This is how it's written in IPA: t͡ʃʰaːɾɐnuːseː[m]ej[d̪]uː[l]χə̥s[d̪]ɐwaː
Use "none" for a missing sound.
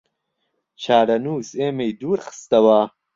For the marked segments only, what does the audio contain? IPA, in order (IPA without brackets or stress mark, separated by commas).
m, d̪, ɾ, t̪